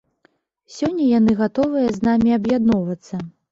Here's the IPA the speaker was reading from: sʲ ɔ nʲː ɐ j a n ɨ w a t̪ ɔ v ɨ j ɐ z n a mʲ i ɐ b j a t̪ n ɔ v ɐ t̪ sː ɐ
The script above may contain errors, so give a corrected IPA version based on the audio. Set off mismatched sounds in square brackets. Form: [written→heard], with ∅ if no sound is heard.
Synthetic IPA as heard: sʲ ɔ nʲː ɐ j a n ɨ [w→ɣ] a t̪ ɔ v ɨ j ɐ z n a mʲ i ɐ b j a [t̪→d̪] n ɔ v ɐ t̪ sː ɐ